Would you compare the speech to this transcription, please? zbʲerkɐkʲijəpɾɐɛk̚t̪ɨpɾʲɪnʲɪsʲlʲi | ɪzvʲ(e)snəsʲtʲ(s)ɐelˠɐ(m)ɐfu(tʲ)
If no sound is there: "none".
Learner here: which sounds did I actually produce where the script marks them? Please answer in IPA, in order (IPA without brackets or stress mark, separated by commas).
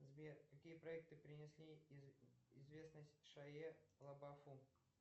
e, ʂ, b, none